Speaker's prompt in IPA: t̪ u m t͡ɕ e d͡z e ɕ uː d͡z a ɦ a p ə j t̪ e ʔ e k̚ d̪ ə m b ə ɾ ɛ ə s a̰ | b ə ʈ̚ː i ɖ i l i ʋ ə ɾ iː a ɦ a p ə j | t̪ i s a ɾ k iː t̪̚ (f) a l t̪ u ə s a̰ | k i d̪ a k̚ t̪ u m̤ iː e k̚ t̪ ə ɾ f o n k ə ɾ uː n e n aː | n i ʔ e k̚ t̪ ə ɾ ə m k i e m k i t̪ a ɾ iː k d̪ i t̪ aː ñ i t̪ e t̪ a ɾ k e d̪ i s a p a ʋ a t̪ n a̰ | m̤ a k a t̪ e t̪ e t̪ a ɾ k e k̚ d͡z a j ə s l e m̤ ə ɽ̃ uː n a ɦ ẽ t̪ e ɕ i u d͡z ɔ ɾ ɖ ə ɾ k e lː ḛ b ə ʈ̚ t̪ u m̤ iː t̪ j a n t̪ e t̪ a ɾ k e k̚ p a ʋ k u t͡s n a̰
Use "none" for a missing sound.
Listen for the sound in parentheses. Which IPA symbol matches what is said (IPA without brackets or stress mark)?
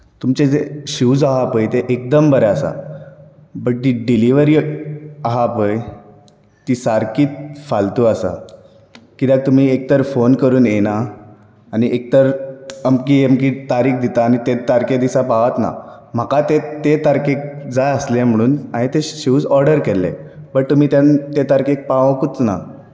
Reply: f